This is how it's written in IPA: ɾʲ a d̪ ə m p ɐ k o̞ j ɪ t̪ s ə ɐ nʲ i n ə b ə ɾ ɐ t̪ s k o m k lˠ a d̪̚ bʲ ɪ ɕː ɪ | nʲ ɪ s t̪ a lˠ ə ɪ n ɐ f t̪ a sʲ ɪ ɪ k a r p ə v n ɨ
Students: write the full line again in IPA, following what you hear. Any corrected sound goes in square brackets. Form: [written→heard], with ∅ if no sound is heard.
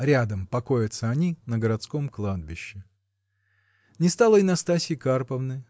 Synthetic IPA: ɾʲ a d̪ ə m p ɐ k o̞ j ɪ t̪ s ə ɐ nʲ i n ə [b→ɡ] ə ɾ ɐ t̪ s k o m k lˠ a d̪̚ bʲ ɪ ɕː ɪ | nʲ ɪ s t̪ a lˠ ə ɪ n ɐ [f→s] t̪ a sʲ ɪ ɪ k a r p ə v n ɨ

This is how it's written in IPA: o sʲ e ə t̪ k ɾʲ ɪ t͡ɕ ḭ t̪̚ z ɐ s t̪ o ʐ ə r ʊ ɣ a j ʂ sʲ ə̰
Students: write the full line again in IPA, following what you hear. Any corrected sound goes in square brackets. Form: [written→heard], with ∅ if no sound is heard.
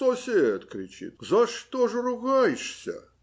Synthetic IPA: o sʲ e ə t̪ k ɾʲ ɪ t͡ɕ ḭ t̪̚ z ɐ [s→ʂ] t̪ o ʐ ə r ʊ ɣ a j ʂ sʲ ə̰

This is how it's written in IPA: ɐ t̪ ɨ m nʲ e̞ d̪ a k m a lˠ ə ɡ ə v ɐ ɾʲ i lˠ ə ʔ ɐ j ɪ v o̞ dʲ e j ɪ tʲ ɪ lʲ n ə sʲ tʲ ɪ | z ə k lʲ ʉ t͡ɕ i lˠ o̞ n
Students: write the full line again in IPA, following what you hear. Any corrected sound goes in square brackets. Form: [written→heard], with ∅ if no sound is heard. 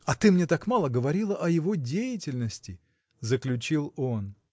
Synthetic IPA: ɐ t̪ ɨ m nʲ e̞ [d̪→t̪] a k m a lˠ ə ɡ ə v ɐ ɾʲ i lˠ ə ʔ ɐ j ɪ v o̞ dʲ e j ɪ tʲ ɪ lʲ n ə sʲ tʲ ɪ | z ə k lʲ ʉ t͡ɕ i lˠ o̞ n

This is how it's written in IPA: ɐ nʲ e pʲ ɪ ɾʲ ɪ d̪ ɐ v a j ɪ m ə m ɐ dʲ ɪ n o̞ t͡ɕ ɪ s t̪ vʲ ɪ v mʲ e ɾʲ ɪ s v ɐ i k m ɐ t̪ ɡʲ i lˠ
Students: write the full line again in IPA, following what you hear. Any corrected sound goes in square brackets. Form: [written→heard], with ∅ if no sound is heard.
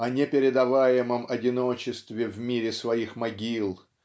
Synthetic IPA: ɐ nʲ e pʲ ɪ ɾʲ ɪ d̪ ɐ v a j ɪ m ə m ɐ dʲ ɪ n o̞ t͡ɕ ɪ s t̪ vʲ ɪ v mʲ [e→i] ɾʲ ɪ s v ɐ i [k→x] m ɐ [t̪→∅] ɡʲ i lˠ

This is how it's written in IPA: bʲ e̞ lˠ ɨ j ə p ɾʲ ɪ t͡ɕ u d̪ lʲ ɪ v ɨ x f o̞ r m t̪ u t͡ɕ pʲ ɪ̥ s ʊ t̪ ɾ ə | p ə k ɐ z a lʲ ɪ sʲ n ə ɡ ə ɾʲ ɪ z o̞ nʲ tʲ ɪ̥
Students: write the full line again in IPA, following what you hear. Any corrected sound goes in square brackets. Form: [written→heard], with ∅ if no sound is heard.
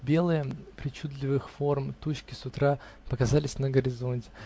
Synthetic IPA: bʲ e̞ lˠ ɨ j ə p ɾʲ ɪ t͡ɕ u d̪ lʲ ɪ v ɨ x f o̞ r m t̪ u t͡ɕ [pʲ→kʲ] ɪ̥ s ʊ t̪ ɾ [ə→a] | p ə k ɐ z a lʲ ɪ sʲ n ə ɡ ə ɾʲ ɪ z o̞ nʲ tʲ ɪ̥

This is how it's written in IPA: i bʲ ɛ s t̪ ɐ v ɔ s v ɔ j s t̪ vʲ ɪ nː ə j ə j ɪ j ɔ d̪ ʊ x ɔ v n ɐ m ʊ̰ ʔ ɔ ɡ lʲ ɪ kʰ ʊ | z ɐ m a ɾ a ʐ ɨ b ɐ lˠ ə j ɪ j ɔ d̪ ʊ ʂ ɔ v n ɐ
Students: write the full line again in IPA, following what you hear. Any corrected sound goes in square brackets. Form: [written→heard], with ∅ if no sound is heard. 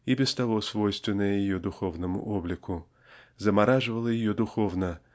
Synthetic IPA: i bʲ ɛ s t̪ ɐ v ɔ s v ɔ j s t̪ vʲ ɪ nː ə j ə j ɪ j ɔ d̪ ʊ x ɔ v n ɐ m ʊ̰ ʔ ɔ [ɡ→b] lʲ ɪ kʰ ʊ | z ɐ m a ɾ a ʐ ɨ [b→v] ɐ lˠ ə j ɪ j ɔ d̪ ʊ [ʂ→x] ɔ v n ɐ

